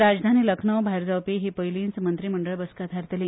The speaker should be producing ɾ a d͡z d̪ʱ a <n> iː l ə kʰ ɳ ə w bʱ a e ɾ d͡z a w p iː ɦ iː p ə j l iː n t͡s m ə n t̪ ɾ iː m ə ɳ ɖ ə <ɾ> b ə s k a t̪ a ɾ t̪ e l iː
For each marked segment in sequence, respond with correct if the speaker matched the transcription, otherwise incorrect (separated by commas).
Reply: correct, incorrect